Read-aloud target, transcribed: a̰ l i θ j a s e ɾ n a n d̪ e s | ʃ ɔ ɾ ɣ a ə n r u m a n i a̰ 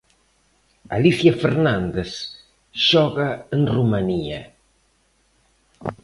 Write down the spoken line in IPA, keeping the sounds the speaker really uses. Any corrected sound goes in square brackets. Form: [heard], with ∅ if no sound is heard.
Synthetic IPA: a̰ l i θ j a [f] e ɾ n a n d̪ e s | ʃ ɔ [∅] ɣ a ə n r u m a n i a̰